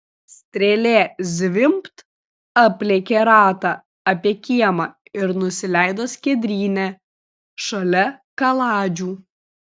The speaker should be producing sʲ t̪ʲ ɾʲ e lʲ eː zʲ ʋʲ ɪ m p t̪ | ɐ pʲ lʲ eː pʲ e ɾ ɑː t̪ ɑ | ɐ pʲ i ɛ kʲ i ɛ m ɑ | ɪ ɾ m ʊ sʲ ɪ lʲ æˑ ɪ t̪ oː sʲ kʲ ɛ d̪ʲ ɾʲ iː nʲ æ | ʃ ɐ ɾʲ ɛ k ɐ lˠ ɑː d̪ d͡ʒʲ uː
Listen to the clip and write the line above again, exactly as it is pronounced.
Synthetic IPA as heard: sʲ t̪ʲ ɾʲ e lʲ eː zʲ ʋʲ ɪ m p t̪ | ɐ pʲ lʲ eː kʲ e ɾ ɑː t̪ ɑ | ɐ pʲ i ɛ kʲ i ɛ m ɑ | ɪ ɾ n ʊ sʲ ɪ lʲ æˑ ɪ d̪ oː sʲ kʲ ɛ d̪ʲ ɾʲ iː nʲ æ | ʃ ɐ lʲ ɛ k ɐ lˠ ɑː d͡ʒʲ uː